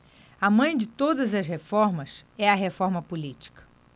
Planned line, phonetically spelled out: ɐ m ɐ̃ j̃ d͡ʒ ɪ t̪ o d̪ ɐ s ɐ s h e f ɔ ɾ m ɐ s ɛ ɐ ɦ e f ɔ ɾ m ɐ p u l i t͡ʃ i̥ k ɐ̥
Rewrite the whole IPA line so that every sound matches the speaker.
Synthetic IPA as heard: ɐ m ɐ̃ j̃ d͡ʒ ɪ t̪ o d̪ ɐ z ɐ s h e f ɔ ɾ m ɐ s ɛ ɐ ɦ e f ɔ ɾ m ɐ p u l i t͡ʃ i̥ k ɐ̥